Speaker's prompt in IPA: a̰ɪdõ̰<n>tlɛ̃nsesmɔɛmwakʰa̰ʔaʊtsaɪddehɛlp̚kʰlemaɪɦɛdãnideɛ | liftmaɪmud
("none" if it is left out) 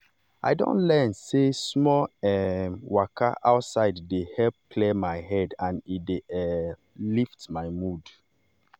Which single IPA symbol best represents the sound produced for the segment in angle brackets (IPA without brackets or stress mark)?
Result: n